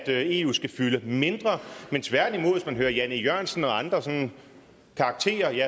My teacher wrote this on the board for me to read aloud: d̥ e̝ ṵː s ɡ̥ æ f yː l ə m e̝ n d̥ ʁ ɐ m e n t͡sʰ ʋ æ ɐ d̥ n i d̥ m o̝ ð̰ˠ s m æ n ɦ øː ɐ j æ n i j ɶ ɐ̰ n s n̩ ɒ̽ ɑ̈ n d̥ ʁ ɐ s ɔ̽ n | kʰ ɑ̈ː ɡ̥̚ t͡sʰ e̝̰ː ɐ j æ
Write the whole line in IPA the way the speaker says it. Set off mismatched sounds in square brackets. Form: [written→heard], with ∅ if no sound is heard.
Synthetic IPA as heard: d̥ e̝ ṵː s ɡ̥ æ f [yː→y] l ə m e̝ n d̥ ʁ ɐ m e n t͡sʰ ʋ æ ɐ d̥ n i [d̥→∅] m o̝ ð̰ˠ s m æ n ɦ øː ɐ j æ n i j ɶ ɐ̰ n s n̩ ɒ̽ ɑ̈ n d̥ ʁ ɐ s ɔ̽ n | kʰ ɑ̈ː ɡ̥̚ t͡sʰ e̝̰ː ɐ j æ